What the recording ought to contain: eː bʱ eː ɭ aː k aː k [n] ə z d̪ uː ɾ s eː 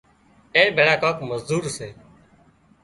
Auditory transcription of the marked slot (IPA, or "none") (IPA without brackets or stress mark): m